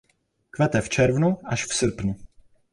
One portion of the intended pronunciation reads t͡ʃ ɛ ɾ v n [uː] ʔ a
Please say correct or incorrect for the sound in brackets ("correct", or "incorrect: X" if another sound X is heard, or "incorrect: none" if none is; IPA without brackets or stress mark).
incorrect: u